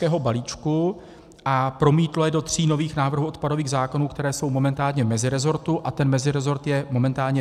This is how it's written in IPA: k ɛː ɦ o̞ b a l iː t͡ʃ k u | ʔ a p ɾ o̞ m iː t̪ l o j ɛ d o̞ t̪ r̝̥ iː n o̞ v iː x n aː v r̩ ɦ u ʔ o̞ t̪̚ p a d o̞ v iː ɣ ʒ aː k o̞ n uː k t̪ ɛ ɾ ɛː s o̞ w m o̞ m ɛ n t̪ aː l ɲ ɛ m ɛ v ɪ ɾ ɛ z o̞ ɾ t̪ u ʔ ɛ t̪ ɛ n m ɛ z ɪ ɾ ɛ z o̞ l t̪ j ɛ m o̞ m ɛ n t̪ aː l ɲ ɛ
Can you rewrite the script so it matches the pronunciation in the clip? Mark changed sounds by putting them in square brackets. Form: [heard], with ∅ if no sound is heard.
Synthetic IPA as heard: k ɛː ɦ o̞ b a l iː t͡ʃ k u | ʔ a p ɾ o̞ m iː t̪ l o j ɛ d o̞ t̪ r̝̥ iː n o̞ v iː x n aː v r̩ ɦ u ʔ o̞ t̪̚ p a d o̞ v iː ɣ [z] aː k o̞ n uː k t̪ ɛ ɾ ɛː s o̞ w m o̞ m ɛ n t̪ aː l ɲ ɛ m ɛ [z] ɪ ɾ ɛ z o̞ ɾ t̪ u ʔ [a] t̪ ɛ n m ɛ z ɪ ɾ ɛ z o̞ [ɾ] t̪ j ɛ m o̞ m ɛ n t̪ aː l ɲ ɛ